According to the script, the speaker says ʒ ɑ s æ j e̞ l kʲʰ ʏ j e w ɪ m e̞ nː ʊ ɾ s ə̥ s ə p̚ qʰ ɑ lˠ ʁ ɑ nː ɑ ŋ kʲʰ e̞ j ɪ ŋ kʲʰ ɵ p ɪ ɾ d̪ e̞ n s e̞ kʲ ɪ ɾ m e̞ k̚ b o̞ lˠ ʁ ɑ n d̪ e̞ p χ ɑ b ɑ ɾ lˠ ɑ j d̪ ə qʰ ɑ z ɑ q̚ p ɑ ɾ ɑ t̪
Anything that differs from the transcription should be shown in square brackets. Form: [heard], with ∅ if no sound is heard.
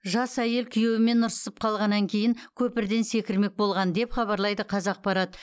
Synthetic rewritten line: ʒ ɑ s æ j e̞ l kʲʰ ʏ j e w ɪ m e̞ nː ʊ ɾ s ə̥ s ə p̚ qʰ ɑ lˠ ʁ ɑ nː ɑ ŋ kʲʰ e̞ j ɪ ŋ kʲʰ ɵ p ɪ ɾ d̪ e̞ n s e̞ kʲ ɪ ɾ m e̞ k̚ b o̞ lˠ ʁ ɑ n d̪ e̞ p χ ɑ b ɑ ɾ lˠ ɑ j d̪ ə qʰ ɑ z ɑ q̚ p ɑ ɾ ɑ t̪